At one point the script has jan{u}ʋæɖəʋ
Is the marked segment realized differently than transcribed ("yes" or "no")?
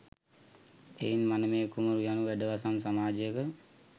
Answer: no